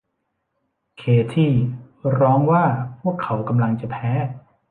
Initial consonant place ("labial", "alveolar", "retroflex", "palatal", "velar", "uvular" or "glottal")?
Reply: velar